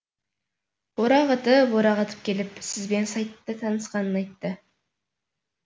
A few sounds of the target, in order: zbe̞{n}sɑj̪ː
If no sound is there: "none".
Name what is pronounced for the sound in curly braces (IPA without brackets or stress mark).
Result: n